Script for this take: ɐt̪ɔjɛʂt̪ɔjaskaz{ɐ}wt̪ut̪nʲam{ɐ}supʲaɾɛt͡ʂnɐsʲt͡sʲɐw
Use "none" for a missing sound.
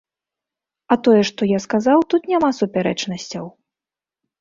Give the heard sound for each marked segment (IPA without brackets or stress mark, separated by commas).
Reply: a, a